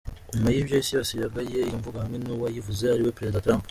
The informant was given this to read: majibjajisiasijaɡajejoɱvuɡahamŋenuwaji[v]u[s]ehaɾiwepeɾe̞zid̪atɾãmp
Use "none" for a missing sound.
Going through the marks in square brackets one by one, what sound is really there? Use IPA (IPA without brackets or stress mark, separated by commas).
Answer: v, z